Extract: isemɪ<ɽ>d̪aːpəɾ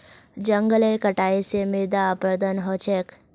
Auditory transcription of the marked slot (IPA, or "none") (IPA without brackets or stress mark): ɾ